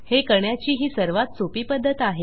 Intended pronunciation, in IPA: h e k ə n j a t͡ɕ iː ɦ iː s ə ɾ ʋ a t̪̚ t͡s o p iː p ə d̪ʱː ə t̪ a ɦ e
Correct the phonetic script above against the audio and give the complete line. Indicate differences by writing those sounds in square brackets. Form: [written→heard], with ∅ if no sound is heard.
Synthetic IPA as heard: h e k ə [n→ɳ] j a t͡ɕ iː ɦ iː s ə ɾ ʋ a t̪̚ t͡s o p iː p ə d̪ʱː ə t̪ a ɦ e